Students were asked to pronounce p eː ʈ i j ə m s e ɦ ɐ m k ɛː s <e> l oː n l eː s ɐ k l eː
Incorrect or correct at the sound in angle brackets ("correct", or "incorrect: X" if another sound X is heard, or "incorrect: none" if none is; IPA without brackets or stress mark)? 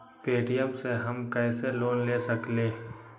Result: correct